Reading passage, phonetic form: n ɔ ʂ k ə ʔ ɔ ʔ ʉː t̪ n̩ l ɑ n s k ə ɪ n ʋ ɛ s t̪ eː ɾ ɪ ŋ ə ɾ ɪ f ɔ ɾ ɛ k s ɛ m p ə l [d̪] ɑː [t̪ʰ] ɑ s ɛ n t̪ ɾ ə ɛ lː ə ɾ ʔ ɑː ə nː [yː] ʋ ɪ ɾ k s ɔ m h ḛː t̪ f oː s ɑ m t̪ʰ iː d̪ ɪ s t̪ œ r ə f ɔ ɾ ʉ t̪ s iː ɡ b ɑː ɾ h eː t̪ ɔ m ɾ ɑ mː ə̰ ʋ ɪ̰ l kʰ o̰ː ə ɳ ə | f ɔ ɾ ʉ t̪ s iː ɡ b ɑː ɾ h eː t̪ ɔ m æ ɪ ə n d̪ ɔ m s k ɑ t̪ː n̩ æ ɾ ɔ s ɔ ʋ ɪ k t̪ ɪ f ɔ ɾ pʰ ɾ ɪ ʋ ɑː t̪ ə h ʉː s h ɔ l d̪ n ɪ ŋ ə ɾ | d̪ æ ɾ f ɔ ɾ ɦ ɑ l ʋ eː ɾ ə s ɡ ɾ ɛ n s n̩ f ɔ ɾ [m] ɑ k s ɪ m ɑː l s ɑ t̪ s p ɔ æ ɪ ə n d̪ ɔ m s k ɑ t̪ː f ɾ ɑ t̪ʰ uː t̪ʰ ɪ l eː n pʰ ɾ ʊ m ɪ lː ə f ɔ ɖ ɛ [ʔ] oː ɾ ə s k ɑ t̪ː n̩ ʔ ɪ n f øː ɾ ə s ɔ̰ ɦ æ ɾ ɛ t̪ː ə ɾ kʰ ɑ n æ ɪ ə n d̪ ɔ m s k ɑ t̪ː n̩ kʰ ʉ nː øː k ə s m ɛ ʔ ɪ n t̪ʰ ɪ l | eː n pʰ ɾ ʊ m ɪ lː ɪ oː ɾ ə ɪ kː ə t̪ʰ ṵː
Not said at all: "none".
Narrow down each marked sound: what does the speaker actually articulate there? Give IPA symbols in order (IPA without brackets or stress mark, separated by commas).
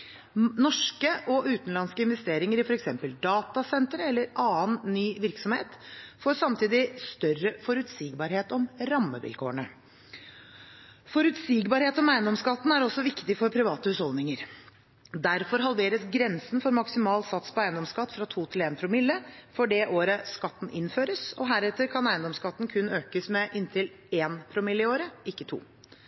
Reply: d̪, t̪, yː, m, ʔ